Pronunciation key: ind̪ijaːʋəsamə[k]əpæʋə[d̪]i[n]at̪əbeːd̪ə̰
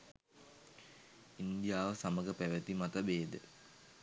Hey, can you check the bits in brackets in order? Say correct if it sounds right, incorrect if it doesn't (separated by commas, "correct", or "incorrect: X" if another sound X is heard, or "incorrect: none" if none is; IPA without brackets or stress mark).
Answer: incorrect: ɡ, incorrect: t̪, incorrect: m